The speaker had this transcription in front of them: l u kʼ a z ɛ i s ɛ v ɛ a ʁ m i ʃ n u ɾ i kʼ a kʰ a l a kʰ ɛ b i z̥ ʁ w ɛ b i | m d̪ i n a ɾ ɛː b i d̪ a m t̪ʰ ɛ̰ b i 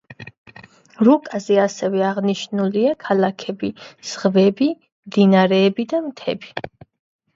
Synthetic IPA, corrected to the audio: ɾ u kʼ a z ɛ a s ɛ v ɛ a ʁ n i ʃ n u l i a kʰ a l a kʰ ɛ b i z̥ ʁ v ɛ b i | m d̪ i n a ɾ ɛː b i d̪ a m t̪ʰ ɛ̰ b i